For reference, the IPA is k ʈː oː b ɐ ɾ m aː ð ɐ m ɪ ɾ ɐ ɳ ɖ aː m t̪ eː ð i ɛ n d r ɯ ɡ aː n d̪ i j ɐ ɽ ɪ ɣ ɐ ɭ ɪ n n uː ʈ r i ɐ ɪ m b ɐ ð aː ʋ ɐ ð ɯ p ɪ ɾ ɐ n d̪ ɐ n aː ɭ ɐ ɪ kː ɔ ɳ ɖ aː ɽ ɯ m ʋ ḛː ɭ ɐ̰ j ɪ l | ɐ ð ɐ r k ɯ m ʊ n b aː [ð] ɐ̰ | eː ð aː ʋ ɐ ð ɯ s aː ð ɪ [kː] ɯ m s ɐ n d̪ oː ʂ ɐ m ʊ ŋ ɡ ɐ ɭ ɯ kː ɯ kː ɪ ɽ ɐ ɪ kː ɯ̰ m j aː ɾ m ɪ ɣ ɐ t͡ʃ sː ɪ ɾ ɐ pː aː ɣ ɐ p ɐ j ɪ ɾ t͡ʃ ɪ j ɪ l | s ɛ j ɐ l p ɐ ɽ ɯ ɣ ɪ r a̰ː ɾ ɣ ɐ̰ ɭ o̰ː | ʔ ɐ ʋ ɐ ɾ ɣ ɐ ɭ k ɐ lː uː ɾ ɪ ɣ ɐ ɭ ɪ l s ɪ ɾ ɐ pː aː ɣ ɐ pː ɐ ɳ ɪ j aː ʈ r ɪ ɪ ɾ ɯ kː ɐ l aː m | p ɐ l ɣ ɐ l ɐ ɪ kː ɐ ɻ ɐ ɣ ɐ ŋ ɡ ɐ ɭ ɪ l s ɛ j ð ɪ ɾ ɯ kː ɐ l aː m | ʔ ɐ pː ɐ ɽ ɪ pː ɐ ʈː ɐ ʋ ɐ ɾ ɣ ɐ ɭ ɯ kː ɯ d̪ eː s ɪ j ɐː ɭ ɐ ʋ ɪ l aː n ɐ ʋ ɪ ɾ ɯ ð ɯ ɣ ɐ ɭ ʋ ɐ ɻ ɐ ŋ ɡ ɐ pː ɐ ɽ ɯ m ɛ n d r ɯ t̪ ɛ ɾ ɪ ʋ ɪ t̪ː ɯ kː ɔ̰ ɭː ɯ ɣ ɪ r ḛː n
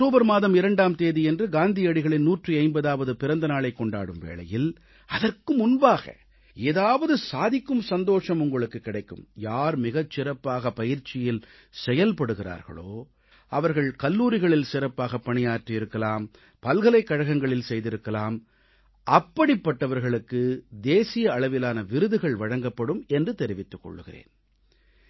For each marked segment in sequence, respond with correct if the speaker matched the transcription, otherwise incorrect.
incorrect, correct

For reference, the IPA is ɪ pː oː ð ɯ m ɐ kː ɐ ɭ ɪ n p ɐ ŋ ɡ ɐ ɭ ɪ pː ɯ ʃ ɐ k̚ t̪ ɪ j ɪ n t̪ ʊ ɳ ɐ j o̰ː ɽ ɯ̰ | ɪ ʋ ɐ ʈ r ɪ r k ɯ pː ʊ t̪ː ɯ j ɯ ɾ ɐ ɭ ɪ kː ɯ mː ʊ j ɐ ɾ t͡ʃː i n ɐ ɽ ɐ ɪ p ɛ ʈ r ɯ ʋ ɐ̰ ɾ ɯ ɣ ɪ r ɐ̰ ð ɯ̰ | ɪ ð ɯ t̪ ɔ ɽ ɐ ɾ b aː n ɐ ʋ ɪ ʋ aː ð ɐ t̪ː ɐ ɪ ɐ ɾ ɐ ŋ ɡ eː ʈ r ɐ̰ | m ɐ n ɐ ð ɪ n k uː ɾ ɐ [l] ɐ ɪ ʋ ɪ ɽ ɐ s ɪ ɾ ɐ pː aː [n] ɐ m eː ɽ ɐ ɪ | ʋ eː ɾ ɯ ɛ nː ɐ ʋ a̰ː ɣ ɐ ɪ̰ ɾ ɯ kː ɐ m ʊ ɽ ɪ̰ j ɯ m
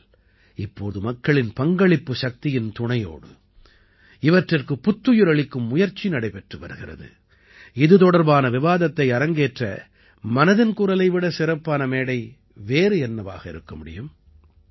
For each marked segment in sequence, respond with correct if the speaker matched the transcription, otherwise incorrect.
correct, correct

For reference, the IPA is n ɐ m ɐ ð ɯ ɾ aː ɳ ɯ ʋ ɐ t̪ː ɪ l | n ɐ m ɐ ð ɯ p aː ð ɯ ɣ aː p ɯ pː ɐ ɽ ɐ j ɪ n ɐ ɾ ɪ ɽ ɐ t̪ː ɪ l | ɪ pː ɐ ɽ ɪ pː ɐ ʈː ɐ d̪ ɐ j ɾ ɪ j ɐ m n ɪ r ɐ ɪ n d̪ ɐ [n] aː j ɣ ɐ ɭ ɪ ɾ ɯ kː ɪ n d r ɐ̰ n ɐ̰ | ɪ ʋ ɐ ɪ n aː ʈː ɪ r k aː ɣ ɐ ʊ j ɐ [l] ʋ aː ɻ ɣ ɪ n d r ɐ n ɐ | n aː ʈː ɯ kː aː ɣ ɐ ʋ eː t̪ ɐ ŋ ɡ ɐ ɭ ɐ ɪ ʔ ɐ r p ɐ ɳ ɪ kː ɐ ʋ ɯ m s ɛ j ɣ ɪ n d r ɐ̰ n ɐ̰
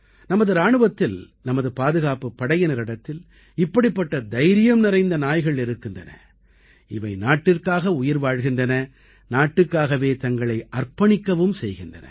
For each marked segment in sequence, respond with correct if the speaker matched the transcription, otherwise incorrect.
correct, incorrect

